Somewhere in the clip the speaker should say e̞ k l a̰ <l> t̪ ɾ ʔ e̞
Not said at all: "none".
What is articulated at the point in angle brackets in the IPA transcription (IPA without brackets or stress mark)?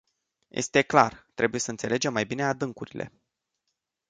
r